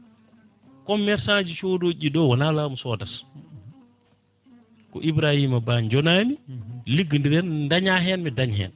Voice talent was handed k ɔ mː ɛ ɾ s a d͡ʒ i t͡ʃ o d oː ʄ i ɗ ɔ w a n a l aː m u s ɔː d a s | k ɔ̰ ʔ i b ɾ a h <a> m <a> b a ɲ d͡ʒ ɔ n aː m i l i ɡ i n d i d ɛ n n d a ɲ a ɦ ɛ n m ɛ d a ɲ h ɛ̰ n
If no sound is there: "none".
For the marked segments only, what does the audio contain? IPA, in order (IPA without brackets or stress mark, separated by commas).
i, a